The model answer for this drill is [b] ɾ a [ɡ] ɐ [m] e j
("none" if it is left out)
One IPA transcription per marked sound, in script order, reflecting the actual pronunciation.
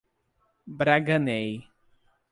b, ɡ, n

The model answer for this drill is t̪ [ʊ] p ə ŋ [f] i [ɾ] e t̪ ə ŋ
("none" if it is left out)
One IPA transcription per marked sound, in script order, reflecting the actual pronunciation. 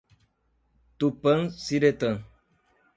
u, s, ɾ

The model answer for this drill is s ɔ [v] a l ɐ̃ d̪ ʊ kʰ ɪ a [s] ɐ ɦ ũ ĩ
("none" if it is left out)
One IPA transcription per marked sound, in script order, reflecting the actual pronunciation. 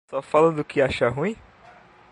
f, ʃ

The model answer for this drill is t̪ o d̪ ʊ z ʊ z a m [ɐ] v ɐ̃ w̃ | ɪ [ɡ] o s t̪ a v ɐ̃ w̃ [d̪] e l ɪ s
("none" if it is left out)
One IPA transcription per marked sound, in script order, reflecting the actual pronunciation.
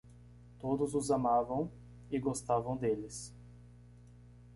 a, ɡ, d̪

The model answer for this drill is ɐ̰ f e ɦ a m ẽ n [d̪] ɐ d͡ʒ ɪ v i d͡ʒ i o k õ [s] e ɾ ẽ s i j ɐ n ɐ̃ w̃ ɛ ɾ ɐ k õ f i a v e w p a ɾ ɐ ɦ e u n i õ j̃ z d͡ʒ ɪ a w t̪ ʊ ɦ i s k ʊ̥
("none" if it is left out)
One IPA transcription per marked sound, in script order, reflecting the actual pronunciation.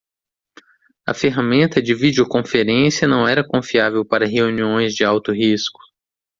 t̪, f

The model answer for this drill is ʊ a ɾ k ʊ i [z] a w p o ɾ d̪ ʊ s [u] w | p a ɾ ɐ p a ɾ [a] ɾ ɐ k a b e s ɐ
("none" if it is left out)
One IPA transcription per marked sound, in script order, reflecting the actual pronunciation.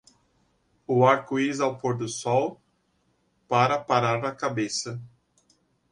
z, ɔ, a

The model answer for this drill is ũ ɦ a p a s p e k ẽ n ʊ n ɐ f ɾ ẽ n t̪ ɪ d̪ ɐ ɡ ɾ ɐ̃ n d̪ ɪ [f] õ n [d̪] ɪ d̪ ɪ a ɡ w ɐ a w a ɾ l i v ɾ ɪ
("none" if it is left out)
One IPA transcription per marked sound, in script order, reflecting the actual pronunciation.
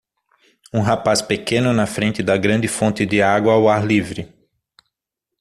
f, t̪

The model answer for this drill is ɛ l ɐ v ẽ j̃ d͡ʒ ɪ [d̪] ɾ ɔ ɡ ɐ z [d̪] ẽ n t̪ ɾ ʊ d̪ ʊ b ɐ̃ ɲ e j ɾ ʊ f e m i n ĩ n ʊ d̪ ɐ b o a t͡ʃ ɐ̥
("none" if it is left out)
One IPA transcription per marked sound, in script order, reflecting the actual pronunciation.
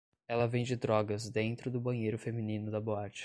d̪, d̪

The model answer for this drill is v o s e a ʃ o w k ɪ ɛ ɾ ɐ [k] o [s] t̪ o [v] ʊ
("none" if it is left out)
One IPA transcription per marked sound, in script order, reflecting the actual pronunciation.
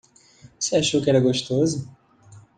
ɡ, ʃ, z

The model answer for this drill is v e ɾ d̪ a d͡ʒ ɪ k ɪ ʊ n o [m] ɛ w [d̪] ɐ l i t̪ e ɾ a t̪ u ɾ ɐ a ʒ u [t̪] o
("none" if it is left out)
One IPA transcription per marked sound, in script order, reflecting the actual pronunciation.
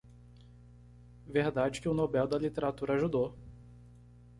b, d̪, d̪

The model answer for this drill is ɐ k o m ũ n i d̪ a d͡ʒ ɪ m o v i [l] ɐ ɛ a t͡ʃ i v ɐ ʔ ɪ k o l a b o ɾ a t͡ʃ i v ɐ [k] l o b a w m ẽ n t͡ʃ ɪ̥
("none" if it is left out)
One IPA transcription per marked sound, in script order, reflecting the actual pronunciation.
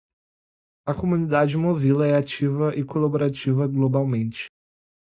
l, ɡ

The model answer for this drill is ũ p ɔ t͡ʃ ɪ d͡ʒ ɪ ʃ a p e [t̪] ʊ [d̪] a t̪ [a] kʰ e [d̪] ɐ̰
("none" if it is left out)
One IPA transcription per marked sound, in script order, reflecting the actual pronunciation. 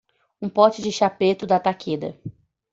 t̪, d̪, a, d̪

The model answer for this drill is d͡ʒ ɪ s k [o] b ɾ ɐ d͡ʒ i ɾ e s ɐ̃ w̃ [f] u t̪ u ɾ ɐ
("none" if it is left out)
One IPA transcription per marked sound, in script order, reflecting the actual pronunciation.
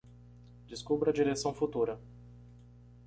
u, f

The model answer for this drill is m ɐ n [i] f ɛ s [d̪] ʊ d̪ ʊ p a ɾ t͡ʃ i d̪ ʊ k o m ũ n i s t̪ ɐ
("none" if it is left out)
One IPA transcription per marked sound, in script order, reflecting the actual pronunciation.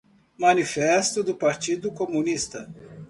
i, t̪

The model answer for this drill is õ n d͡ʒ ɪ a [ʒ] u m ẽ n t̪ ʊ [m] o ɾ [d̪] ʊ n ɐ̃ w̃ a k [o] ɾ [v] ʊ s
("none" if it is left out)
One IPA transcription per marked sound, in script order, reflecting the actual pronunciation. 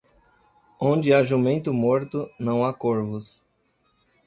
ʒ, m, t̪, o, v

